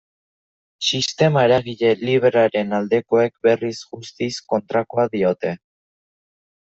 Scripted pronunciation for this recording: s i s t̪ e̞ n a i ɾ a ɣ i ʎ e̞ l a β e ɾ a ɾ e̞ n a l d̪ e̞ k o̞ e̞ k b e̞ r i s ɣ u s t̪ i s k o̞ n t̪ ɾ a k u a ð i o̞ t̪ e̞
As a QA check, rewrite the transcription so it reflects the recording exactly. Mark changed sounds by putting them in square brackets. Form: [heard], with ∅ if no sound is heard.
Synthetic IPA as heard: s i s t̪ e̞ [m] a [e] ɾ a ɣ i ʎ e̞ l [i] β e ɾ a ɾ e̞ n a l d̪ e̞ k o̞ e̞ k b e̞ r i s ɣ u s t̪ i s k o̞ n t̪ ɾ a k [o] a ð i o̞ t̪ e̞